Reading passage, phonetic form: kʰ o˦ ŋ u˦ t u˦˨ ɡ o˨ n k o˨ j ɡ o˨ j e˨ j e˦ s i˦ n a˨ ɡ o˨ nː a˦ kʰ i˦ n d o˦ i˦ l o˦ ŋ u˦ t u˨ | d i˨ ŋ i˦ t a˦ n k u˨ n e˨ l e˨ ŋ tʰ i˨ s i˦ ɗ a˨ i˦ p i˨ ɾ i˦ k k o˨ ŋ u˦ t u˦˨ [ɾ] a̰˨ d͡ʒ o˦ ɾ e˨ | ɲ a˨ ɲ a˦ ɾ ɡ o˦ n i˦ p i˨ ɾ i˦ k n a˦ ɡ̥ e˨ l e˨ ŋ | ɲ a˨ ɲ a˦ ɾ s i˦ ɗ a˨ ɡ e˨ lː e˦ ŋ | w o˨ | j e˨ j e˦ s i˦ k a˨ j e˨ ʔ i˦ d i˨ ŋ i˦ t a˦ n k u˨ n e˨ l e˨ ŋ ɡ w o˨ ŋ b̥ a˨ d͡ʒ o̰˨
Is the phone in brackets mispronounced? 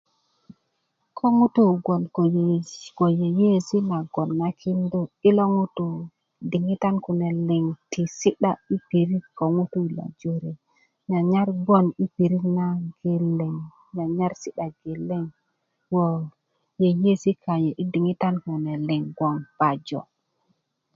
yes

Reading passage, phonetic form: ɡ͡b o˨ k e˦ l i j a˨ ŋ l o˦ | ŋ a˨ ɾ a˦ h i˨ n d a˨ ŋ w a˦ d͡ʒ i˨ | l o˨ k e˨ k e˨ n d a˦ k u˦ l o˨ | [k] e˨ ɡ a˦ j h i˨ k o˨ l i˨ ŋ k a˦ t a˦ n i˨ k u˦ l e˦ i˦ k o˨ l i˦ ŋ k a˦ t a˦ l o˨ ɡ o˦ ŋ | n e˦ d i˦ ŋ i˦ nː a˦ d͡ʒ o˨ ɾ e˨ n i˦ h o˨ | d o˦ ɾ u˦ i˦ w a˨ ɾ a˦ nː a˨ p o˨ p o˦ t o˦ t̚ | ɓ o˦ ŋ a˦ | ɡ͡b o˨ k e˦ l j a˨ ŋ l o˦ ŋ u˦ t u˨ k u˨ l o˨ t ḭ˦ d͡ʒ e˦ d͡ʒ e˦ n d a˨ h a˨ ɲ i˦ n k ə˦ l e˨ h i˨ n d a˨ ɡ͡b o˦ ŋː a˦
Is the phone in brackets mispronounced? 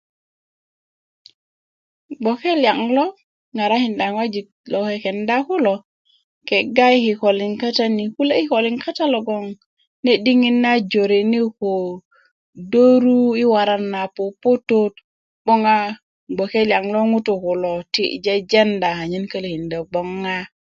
no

